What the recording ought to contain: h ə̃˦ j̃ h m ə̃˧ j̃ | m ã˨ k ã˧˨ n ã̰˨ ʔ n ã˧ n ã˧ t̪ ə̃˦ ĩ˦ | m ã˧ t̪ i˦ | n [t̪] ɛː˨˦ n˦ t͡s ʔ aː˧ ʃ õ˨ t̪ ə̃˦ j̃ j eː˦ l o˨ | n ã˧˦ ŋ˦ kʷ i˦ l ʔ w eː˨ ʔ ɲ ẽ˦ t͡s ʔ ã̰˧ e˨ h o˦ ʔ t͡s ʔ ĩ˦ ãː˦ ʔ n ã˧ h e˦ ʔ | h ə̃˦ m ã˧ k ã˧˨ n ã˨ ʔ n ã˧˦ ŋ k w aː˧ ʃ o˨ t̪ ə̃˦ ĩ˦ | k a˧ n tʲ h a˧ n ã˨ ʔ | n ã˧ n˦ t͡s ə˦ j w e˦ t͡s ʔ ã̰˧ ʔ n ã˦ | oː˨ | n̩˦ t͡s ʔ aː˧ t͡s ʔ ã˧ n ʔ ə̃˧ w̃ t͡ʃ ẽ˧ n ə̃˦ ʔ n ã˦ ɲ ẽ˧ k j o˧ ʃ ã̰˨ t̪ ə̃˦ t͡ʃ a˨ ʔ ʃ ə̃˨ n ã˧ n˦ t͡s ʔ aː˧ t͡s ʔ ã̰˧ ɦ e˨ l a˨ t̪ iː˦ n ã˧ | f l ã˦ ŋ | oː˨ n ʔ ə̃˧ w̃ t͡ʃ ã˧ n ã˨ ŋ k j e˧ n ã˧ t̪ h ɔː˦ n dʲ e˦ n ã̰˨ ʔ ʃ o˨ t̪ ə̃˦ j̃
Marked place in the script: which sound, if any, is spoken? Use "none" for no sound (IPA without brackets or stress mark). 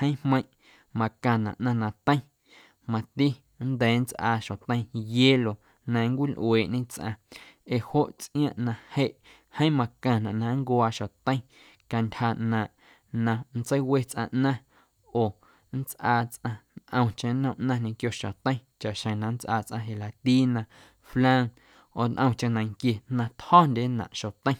d̪